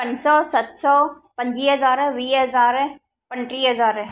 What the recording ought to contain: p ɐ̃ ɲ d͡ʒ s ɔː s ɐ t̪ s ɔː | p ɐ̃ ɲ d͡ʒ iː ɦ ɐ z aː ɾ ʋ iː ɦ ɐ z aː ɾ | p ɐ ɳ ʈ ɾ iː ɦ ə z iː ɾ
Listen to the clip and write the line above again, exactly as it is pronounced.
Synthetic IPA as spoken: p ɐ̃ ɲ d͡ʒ s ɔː s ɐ t̪ s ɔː | p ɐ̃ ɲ d͡ʒ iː ɦ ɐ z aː ɾ ʋ iː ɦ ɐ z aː ɾ | p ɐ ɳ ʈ ɾ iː ɦ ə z aː ɾ